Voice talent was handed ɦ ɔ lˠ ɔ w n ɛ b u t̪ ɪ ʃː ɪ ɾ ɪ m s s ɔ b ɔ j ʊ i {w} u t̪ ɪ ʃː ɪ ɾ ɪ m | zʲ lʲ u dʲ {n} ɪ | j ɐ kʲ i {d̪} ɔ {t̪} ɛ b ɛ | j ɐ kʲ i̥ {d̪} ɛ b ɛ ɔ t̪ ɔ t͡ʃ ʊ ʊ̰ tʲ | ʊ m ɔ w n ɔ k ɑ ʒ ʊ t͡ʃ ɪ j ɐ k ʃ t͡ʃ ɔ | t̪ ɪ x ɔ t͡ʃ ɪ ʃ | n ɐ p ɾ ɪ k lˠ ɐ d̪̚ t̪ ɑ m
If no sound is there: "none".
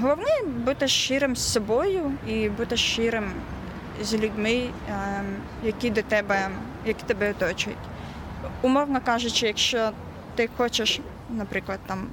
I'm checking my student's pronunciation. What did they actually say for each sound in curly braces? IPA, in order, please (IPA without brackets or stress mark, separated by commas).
b, m, d̪, t̪, t̪